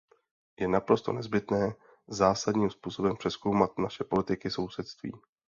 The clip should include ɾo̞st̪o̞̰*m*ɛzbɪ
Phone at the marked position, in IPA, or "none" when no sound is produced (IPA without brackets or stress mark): n